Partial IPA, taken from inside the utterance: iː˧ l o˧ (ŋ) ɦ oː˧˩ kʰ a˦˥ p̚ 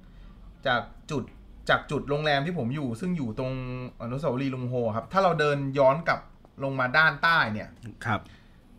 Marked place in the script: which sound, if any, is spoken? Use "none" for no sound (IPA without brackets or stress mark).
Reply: ŋ